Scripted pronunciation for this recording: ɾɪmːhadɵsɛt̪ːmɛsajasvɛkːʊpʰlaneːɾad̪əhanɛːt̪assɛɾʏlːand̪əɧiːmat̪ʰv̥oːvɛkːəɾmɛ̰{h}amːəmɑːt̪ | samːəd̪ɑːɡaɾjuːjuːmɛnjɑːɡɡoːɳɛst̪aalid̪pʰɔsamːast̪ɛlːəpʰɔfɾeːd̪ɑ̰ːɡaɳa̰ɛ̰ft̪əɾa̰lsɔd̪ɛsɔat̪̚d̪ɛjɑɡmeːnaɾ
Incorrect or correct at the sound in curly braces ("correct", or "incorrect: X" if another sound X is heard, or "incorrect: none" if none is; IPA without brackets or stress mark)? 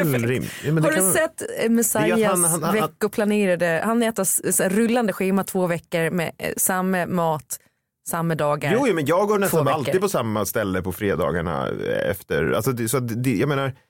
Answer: incorrect: s